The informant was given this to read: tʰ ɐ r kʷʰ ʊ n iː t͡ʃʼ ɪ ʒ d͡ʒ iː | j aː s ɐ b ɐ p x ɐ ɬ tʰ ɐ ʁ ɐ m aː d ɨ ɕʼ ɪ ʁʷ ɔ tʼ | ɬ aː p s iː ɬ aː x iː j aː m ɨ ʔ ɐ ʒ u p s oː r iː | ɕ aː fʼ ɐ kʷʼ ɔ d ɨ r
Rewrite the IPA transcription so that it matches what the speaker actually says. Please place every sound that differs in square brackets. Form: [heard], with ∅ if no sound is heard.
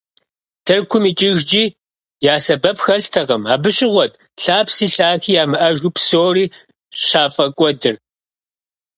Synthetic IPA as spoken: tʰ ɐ r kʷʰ ʊ [m] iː t͡ʃʼ ɪ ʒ d͡ʒ iː | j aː s ɐ b ɐ p x ɐ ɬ tʰ ɐ ʁ ɐ m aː [b] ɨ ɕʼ ɪ ʁʷ ɔ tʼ | ɬ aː p s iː ɬ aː x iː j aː m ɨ ʔ ɐ ʒ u p s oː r iː | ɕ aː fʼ ɐ kʷʼ ɔ d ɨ r